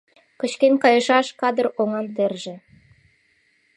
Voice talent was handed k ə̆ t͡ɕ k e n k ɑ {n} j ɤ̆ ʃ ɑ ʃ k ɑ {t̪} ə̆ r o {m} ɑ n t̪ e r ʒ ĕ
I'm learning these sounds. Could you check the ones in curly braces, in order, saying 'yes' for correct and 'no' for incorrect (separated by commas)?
no, no, no